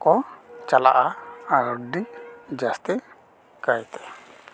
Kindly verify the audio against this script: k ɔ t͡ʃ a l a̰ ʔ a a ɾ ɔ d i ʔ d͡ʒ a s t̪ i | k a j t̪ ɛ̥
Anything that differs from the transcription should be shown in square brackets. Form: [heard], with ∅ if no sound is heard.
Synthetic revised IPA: k ɔ t͡ʃ a l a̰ ʔ a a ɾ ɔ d i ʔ d͡ʒ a s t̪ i | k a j t̪ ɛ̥